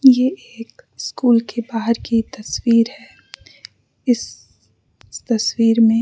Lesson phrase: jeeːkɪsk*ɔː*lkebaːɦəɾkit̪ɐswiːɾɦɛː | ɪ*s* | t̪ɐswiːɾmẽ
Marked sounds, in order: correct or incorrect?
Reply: incorrect: uː, correct

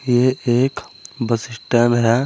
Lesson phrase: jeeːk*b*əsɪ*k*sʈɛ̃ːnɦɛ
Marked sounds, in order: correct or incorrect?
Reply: correct, incorrect: none

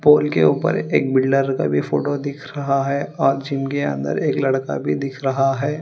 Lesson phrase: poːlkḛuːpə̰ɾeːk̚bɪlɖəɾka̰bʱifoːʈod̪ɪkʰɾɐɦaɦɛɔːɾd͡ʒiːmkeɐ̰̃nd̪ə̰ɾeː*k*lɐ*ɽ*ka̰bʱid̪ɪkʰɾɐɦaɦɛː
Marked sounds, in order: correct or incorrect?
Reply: correct, correct

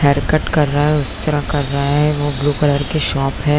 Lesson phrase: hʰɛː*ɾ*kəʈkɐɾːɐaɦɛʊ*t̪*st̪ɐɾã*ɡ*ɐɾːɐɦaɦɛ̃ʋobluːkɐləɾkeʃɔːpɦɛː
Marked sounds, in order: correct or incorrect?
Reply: correct, incorrect: none, incorrect: k

